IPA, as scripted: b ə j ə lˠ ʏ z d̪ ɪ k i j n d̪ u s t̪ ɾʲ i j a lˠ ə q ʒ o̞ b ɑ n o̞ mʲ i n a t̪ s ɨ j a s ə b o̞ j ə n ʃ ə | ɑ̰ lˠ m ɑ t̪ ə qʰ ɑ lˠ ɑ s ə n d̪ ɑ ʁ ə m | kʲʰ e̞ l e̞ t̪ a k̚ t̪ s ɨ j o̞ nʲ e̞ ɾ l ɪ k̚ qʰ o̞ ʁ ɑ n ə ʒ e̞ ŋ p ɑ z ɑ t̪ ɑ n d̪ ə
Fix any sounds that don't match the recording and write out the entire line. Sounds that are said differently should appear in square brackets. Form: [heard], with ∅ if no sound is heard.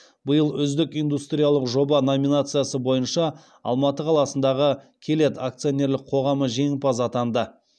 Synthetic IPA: b ə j ə lˠ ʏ z d̪ ɪ k i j n d̪ u s t̪ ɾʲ i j a lˠ ə q ʒ o̞ b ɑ n o̞ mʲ i n a t̪ s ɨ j a s ə b o̞ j ə n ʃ [ɑ] | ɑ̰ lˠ m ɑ t̪ ə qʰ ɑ lˠ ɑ s ə n d̪ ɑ ʁ ə [∅] | kʲʰ e̞ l e̞ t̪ a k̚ t̪ s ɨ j o̞ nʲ e̞ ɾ l ɪ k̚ qʰ o̞ ʁ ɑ [m] ə ʒ e̞ ŋ p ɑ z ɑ t̪ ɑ n d̪ ə